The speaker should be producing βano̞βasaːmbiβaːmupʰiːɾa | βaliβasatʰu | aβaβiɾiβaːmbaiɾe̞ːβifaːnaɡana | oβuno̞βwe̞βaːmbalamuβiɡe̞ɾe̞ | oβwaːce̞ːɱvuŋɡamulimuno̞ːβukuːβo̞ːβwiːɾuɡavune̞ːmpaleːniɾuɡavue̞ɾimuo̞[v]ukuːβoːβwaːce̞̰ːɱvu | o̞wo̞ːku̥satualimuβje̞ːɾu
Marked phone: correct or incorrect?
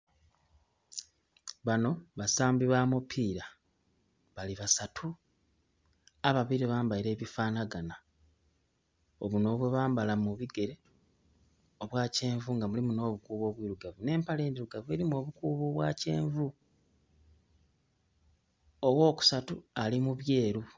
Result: incorrect